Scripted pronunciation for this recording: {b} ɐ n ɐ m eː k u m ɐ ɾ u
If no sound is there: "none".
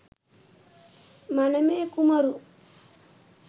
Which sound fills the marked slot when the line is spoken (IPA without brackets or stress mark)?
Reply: m